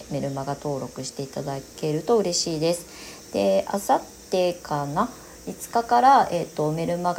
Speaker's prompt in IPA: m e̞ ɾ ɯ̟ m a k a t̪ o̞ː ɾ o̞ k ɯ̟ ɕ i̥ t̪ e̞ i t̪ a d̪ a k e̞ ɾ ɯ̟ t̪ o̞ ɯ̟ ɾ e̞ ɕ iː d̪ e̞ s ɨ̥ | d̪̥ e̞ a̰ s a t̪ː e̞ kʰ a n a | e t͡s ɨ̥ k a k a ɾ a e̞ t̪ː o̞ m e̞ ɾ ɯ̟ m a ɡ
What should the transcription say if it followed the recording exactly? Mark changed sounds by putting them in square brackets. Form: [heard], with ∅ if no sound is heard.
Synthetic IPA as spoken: m e̞ ɾ ɯ̟ m a [ɡ] a t̪ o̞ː ɾ o̞ k ɯ̟ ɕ i̥ t̪ e̞ i t̪ a d̪ a k e̞ ɾ ɯ̟ t̪ o̞ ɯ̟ ɾ e̞ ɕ iː d̪ e̞ s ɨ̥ | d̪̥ e̞ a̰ s a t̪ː e̞ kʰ a n a | [i] t͡s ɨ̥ k a k a ɾ a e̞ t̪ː o̞ m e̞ ɾ ɯ̟ m a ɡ